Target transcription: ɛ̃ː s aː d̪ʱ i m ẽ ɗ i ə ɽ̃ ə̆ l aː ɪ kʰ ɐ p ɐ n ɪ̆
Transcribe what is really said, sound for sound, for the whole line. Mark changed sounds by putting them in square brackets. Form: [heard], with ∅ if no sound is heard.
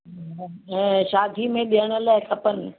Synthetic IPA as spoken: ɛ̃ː [ʃ] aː d̪ʱ i m ẽ ɗ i ə ɽ̃ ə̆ l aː ɪ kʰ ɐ p [ə] n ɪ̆